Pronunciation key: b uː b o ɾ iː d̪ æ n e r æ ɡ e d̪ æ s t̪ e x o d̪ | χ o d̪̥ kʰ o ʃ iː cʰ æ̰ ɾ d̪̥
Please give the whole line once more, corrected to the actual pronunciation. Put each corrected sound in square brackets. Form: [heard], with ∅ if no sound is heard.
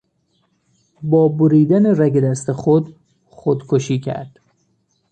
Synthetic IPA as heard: b [ɒː] b o ɾ iː d̪ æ n e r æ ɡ e d̪ æ s t̪ e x o d̪ | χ o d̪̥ kʰ o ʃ iː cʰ æ̰ ɾ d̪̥